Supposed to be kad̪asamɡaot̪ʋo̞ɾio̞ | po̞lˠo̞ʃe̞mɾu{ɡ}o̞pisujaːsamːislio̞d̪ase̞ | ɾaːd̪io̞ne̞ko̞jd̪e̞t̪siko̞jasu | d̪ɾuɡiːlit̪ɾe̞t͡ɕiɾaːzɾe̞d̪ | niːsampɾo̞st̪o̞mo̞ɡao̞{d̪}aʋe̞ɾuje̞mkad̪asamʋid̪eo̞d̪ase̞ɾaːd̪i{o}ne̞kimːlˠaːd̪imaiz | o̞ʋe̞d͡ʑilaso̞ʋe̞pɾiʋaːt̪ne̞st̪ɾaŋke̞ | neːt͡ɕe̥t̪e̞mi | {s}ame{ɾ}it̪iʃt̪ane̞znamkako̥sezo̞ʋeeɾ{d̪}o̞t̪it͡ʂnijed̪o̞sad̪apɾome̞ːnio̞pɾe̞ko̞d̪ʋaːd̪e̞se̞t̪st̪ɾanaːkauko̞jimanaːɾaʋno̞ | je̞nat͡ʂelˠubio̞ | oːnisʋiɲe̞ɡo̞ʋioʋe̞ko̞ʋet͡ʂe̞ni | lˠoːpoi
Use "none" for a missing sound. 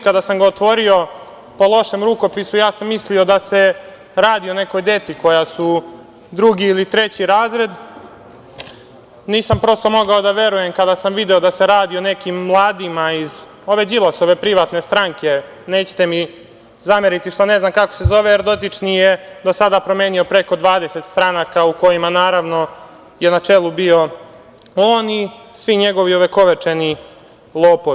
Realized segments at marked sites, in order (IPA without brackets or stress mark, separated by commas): k, d̪, o, z, ɾ, d̪